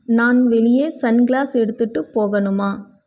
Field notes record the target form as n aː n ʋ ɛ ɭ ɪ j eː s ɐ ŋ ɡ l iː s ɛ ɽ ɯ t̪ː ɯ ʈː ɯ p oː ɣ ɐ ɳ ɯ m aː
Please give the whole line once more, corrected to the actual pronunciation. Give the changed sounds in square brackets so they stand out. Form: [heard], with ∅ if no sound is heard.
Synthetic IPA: n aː n ʋ ɛ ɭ ɪ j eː s ɐ [n] ɡ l [aː] s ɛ ɽ ɯ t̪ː ɯ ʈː ɯ p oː ɣ ɐ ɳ ɯ m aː